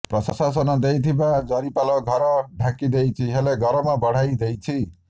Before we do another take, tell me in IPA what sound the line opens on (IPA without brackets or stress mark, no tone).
p